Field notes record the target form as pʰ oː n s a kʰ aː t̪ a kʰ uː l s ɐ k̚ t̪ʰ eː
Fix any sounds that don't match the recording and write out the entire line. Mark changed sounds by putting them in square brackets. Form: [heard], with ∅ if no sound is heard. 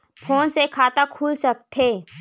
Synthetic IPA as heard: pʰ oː n s [e] kʰ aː t̪ a kʰ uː l s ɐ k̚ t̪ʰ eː